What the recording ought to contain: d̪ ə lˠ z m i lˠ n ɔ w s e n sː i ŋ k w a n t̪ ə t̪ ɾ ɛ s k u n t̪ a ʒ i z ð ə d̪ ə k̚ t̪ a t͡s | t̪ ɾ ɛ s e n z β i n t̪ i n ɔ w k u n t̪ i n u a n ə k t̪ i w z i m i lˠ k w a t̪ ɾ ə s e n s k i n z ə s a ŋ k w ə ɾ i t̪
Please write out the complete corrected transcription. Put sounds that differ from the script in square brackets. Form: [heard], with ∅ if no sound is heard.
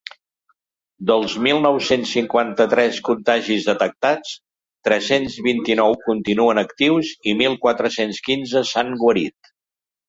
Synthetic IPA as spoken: d̪ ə lˠ z m i lˠ n ɔ w s e n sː i ŋ k w a n t̪ ə t̪ ɾ ɛ s k u n t̪ a ʒ i z ð ə [t̪] ə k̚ t̪ a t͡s | t̪ ɾ ɛ s e n z β i n t̪ i n ɔ w k u n t̪ i n u [ə] n ə k t̪ i w z i m i lˠ k w a t̪ ɾ ə s e n s k i n z ə s a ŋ [ɡ] w ə ɾ i t̪